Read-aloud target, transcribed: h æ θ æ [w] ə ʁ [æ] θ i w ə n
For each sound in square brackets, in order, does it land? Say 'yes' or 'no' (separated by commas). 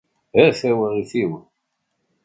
yes, no